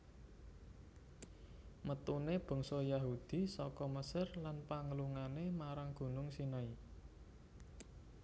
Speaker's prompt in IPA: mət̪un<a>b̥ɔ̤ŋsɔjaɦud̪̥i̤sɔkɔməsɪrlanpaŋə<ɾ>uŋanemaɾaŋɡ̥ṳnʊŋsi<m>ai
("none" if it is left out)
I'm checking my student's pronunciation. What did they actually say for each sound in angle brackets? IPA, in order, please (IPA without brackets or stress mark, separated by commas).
e, l, n